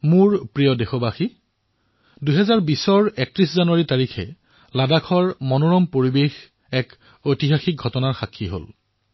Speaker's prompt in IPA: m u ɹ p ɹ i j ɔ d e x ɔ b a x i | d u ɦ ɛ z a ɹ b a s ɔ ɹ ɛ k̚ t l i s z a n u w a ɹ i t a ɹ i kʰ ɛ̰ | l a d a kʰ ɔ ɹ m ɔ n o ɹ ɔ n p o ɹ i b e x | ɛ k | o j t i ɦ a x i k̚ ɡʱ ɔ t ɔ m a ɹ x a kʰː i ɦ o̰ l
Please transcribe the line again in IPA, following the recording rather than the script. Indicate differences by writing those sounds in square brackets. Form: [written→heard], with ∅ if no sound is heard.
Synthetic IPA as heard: m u ɹ p ɹ i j ɔ d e x ɔ b a x i | d u ɦ ɛ z a ɹ b [a→i] s ɔ ɹ ɛ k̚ t [l→ɹ] i s z a n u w a ɹ i t a ɹ i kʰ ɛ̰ | l a d a kʰ ɔ ɹ m ɔ n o ɹ ɔ [n→m] p o ɹ i b e x | ɛ k | o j t i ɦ a x i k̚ ɡʱ ɔ t ɔ [m→n] a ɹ x a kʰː i ɦ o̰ l

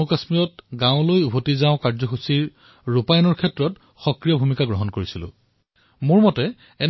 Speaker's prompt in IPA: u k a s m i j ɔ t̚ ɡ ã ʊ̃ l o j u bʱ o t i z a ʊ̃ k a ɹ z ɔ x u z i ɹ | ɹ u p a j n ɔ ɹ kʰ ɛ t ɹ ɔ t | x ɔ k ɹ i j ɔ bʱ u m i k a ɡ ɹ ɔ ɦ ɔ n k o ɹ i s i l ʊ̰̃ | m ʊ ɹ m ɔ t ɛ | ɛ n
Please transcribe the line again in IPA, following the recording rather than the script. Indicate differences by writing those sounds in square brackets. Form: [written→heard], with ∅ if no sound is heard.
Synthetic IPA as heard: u k a s m i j ɔ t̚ ɡ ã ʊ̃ l o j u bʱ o t i z a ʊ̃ k a ɹ z ɔ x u [z→s] i ɹ | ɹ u p a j n ɔ ɹ kʰ ɛ t ɹ ɔ t | x ɔ k ɹ i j ɔ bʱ u m i k a ɡ ɹ ɔ ɦ ɔ n k o ɹ i s i l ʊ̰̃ | m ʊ ɹ m ɔ t ɛ | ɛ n

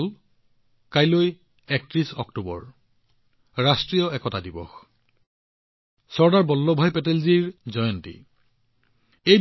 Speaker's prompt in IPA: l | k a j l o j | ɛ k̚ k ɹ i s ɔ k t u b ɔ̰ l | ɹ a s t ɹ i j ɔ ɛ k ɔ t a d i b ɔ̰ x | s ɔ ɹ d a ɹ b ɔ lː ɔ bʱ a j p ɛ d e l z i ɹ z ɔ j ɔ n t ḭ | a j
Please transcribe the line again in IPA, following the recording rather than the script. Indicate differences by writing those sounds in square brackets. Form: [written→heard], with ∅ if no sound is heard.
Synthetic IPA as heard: l | k a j l o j | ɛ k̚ [k→t] ɹ i s ɔ k t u b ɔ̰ [l→ɹ] | ɹ a s t ɹ i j ɔ ɛ k ɔ t a d i b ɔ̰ x | s ɔ ɹ d a ɹ b ɔ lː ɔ bʱ a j p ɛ [d→t] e l z i ɹ z ɔ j ɔ n t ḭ | [a→e] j

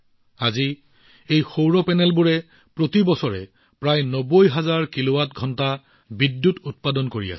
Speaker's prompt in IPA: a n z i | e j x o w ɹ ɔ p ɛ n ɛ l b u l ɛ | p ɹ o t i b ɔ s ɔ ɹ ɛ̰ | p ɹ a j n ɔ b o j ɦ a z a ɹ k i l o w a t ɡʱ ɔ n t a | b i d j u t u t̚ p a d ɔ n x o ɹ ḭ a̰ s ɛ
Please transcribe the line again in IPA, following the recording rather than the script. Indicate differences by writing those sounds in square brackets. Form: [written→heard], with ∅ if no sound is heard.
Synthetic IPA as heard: a [n→∅] z i | e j x o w ɹ ɔ p ɛ n ɛ l b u [l→ɹ] ɛ | p ɹ o t i b ɔ s ɔ ɹ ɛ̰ | p ɹ a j n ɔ b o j ɦ a z a ɹ k i l o w a t ɡʱ ɔ n t a | b i d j u t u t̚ p a d ɔ n [x→k] o ɹ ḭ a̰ s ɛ

